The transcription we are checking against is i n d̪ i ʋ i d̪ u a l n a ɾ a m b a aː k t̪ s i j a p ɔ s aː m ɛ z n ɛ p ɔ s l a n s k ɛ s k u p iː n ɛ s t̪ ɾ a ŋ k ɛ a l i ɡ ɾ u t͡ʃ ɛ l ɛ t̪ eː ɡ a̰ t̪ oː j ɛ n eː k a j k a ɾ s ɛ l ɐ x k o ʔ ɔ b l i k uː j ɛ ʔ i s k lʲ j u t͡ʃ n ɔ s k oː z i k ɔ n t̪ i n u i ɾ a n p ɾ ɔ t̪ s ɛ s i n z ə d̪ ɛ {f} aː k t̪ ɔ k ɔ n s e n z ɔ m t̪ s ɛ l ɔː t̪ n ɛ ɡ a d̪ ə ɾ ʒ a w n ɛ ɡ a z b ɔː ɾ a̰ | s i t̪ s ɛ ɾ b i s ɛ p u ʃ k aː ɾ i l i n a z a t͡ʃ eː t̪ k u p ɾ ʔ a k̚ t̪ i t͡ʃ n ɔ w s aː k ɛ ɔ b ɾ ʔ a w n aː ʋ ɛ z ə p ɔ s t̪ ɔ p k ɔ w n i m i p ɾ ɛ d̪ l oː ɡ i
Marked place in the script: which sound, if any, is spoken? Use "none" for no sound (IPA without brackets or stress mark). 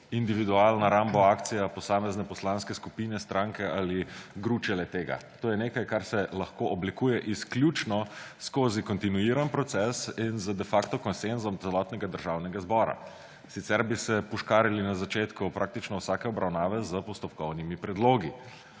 f